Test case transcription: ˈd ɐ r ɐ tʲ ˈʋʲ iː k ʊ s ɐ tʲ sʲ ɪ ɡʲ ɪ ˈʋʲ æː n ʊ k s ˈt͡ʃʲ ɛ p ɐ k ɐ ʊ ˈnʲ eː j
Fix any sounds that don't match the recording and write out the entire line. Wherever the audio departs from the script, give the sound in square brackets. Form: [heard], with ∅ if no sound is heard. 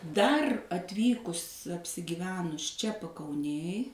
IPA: ˈd ɐ r ɐ tʲ ˈʋʲ iː k ʊ s ɐ [pʲ] sʲ ɪ ɡʲ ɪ ˈʋʲ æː n ʊ [∅] s ˈt͡ʃʲ ɛ p ɐ k ɐ ʊ ˈnʲ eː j